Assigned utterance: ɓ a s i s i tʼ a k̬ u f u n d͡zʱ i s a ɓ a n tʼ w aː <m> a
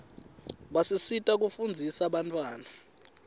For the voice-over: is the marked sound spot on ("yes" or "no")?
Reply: no